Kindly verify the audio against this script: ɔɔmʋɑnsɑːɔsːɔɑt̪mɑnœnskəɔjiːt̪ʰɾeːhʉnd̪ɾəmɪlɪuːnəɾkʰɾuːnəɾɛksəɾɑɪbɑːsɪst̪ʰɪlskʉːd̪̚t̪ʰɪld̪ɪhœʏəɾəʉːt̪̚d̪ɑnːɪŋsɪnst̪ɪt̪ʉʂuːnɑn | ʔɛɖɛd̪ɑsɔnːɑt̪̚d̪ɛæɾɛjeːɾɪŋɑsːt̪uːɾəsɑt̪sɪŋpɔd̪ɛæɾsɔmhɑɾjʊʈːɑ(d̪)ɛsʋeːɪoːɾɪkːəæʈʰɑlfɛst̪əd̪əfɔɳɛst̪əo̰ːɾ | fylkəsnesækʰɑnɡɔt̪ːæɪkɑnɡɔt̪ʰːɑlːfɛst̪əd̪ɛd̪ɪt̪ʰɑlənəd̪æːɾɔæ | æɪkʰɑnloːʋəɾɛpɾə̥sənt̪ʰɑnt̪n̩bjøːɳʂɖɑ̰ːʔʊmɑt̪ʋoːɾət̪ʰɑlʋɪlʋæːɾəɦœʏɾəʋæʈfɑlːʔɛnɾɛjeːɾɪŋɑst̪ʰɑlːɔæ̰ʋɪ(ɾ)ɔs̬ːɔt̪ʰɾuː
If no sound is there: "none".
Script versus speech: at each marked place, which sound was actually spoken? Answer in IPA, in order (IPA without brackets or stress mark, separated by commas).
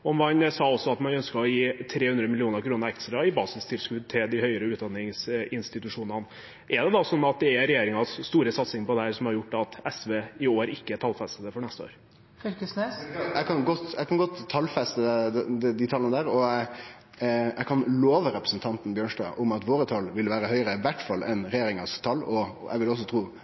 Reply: t̪, l